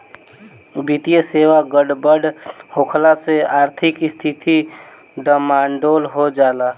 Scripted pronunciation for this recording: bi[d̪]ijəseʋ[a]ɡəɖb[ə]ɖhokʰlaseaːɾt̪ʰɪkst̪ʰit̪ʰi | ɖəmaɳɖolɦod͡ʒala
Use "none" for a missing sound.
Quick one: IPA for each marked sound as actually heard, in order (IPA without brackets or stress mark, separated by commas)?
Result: t̪, a, ə